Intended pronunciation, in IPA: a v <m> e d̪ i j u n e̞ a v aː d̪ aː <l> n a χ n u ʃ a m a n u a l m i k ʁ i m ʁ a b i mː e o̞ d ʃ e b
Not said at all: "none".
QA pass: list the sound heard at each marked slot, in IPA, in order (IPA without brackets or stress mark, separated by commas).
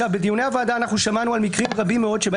b, none